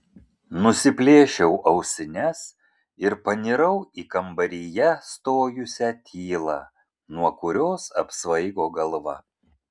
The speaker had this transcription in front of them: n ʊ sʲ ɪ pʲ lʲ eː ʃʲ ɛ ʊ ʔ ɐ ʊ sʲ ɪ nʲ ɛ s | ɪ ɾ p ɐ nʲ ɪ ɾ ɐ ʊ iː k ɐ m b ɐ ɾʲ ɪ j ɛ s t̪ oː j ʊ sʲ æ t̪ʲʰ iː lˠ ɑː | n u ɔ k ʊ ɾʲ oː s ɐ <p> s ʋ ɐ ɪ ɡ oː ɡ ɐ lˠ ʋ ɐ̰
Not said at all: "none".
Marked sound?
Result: p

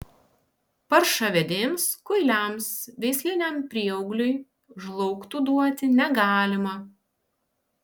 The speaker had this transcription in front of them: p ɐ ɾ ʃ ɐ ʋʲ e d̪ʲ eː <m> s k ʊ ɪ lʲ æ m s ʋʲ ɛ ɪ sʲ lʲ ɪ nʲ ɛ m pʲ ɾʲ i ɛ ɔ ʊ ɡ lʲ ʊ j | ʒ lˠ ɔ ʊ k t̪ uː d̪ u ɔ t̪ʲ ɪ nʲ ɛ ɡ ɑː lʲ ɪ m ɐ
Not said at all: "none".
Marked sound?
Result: m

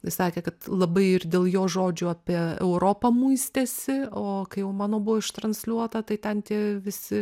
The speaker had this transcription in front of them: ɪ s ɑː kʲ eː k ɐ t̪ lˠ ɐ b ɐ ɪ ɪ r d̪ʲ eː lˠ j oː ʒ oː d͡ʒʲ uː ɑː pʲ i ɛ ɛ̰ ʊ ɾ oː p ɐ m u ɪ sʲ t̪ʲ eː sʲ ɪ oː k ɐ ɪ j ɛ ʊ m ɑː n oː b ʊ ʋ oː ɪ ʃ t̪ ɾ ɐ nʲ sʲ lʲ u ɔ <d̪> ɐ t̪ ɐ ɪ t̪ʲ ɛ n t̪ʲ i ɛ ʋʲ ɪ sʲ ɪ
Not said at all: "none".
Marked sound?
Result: t̪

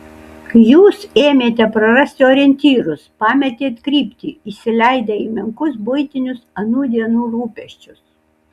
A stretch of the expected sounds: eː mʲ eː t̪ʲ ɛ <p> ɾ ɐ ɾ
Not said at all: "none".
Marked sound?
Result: p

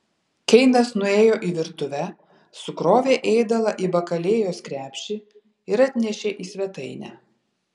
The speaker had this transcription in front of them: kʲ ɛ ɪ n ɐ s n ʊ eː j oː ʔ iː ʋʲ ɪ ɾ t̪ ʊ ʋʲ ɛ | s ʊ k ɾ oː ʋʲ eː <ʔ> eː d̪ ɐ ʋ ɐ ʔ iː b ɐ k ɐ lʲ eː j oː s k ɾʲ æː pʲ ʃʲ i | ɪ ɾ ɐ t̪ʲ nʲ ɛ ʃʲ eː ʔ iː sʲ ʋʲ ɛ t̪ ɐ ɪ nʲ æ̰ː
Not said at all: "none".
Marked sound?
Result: ʔ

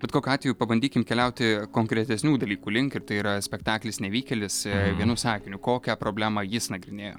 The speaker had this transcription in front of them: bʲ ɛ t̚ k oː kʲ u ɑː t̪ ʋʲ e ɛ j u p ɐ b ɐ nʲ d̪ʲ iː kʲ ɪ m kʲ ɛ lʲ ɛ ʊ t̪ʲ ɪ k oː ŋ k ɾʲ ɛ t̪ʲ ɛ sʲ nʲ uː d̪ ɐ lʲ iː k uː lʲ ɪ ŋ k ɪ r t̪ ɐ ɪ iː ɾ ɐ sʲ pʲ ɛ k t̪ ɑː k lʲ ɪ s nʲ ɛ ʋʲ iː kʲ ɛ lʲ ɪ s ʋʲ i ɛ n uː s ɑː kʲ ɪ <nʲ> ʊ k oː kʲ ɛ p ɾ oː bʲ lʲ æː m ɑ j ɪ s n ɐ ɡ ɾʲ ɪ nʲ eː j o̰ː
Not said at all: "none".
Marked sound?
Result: nʲ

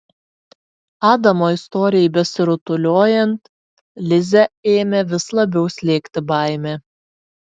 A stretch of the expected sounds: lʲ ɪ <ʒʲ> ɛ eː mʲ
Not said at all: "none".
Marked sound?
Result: zʲ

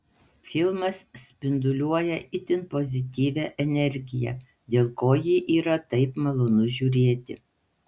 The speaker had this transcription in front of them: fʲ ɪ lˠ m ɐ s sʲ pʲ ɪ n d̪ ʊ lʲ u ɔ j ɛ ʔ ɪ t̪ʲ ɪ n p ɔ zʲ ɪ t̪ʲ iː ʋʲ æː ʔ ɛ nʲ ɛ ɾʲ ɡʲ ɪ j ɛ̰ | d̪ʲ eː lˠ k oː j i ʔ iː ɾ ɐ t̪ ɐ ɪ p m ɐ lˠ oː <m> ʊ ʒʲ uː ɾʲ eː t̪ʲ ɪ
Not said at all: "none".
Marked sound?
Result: n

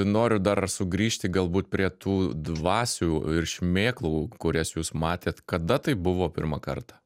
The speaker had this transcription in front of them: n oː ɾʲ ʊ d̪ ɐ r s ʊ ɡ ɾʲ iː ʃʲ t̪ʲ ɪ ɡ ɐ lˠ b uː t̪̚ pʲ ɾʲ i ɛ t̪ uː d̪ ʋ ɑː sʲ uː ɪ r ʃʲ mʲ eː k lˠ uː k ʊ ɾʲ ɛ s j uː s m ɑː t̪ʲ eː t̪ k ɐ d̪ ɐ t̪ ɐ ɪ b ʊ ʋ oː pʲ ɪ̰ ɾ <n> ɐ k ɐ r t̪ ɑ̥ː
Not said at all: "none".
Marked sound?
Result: m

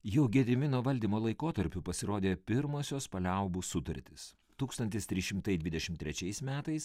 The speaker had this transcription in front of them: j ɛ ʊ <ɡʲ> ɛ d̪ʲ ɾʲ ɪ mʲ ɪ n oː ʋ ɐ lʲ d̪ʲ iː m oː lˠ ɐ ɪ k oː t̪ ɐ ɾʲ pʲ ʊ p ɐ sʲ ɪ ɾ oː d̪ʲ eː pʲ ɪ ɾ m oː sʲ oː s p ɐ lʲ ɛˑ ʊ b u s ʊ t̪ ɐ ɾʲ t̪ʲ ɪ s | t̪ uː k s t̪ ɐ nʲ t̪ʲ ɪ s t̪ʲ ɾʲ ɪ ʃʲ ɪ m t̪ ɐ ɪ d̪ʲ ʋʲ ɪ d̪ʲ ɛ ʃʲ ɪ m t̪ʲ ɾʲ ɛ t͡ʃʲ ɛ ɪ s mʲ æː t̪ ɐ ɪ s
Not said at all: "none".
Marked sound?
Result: ɡʲ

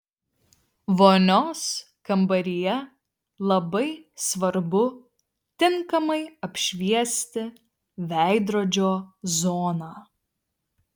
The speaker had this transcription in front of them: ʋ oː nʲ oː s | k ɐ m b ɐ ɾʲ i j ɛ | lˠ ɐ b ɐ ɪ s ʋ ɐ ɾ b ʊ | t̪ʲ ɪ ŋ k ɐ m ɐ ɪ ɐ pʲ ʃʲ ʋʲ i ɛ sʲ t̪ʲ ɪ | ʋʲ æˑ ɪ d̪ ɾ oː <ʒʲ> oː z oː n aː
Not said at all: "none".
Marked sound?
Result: d͡ʒʲ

